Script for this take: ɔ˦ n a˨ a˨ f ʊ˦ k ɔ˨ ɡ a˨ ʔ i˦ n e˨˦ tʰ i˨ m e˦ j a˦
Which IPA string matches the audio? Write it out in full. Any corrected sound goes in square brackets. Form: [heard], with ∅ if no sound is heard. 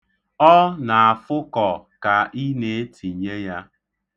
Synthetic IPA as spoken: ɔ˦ n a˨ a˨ f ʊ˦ k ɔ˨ [k] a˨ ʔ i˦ n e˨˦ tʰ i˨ [ɲ] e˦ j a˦